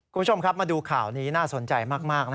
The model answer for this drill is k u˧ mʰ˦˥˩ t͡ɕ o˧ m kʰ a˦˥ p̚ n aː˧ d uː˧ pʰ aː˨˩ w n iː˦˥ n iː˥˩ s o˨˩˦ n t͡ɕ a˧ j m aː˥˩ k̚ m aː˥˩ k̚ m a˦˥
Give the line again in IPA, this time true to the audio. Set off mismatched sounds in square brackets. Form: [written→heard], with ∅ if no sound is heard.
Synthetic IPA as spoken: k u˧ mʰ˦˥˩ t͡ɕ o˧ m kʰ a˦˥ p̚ [n→m] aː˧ d uː˧ [pʰ→kʰ] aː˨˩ w n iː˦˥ n [iː˥˩→aː˥˩] s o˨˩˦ n t͡ɕ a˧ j m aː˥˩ k̚ m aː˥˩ k̚ [m→n] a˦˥